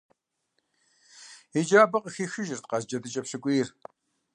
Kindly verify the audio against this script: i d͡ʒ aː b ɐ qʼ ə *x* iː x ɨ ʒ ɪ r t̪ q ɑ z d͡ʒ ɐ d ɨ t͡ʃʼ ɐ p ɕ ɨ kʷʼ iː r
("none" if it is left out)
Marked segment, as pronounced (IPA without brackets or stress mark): x